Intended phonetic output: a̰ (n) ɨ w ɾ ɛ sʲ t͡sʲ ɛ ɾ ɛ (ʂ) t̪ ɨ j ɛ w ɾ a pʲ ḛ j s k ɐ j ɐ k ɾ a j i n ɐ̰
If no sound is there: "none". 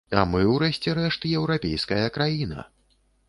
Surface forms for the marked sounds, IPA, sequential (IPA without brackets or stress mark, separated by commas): m, ʂ